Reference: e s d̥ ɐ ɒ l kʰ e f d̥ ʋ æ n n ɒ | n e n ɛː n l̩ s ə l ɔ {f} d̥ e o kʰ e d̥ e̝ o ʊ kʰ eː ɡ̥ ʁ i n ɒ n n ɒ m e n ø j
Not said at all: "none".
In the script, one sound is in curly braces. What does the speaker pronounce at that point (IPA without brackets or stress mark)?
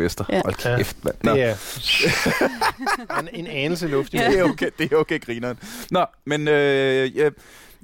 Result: f